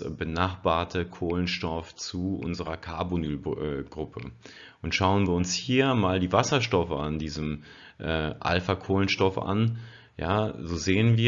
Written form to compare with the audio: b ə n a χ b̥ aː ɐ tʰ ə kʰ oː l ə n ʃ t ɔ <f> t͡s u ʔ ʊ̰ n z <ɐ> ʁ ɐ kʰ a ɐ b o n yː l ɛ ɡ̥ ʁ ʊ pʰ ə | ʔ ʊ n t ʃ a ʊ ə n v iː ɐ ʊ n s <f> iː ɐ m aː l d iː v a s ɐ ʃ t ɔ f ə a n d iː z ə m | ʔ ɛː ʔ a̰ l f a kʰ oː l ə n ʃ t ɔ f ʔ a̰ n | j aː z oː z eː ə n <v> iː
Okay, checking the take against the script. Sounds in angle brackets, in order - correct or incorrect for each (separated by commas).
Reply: correct, incorrect, incorrect, correct